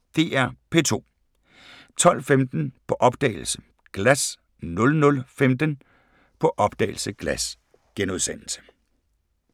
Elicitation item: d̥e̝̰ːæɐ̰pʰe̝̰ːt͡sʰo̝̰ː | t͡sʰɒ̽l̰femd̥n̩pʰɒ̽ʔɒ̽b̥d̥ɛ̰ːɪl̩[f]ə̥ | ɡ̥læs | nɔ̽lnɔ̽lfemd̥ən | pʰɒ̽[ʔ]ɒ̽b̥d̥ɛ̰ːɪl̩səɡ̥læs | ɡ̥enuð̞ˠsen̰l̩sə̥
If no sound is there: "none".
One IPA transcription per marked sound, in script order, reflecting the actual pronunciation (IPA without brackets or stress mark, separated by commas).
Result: s, ʔ